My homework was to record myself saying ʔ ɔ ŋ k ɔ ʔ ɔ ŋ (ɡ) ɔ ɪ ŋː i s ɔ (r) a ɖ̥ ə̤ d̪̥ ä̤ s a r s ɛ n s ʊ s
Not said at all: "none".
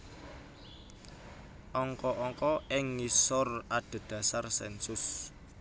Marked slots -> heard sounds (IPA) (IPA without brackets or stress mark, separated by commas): k, r